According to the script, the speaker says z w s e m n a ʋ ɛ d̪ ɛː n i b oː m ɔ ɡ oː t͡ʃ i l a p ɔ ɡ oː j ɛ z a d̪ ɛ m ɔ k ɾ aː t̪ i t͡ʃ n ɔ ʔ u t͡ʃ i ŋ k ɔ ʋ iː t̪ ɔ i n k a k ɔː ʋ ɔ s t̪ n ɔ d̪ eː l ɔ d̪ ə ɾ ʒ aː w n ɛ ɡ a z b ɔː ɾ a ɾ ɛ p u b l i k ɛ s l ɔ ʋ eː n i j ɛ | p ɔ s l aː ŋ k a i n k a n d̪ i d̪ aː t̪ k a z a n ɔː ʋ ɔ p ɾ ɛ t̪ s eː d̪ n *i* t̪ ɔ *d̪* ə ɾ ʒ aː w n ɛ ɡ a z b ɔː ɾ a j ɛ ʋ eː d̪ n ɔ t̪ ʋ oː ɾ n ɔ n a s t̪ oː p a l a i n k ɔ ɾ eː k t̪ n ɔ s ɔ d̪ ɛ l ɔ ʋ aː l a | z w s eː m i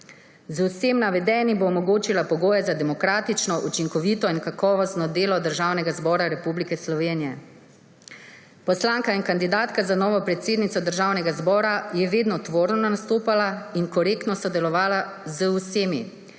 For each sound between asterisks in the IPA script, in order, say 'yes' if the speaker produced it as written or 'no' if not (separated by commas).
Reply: yes, yes